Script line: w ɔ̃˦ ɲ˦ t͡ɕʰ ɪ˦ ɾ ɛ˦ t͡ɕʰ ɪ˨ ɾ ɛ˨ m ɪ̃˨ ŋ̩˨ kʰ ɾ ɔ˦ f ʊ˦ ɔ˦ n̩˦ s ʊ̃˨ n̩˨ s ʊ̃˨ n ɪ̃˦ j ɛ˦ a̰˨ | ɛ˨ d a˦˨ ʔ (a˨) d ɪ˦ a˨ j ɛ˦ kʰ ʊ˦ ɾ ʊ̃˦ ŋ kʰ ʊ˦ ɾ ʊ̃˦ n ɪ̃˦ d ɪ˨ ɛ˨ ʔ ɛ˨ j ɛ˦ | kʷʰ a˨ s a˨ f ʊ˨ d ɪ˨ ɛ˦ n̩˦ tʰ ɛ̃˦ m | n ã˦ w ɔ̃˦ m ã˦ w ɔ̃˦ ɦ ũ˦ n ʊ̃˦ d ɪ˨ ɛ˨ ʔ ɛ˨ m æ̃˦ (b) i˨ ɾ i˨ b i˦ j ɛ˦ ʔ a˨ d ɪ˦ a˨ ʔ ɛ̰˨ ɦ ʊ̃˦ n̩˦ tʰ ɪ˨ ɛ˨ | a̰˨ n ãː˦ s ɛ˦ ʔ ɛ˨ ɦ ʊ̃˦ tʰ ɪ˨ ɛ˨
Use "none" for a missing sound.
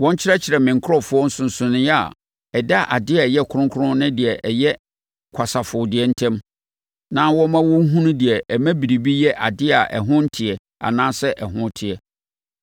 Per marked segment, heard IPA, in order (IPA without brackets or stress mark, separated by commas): a˨, b